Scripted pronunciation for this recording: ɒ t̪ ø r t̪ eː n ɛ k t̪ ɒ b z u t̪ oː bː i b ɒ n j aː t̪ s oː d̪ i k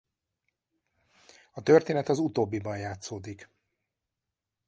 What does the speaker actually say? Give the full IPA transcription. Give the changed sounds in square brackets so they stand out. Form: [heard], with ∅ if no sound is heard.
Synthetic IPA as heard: ɒ t̪ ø r t̪ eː n ɛ [∅] t̪ ɒ [∅] z u t̪ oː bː i b ɒ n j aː t̪ s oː d̪ i k